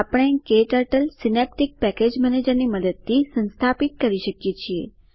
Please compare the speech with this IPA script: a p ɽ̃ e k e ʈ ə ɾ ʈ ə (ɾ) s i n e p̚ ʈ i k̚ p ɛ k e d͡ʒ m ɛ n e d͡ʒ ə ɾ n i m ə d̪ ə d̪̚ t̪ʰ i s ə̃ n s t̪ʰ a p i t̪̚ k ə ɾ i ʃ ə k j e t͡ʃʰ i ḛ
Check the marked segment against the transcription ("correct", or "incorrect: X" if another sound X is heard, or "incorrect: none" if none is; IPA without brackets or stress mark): incorrect: l